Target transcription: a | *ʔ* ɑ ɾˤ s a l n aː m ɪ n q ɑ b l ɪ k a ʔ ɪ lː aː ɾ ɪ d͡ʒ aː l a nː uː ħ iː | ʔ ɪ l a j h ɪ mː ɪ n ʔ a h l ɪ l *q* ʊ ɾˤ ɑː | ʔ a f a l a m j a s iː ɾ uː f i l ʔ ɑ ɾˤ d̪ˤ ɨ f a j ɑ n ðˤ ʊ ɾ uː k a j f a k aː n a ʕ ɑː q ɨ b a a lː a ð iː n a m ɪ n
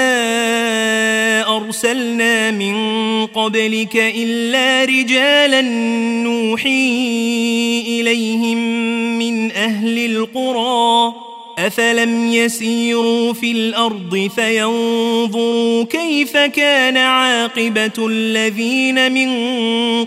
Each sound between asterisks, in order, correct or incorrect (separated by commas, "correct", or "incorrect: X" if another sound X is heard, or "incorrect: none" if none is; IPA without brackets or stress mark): correct, correct